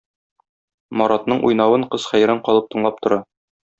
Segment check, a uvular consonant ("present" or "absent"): present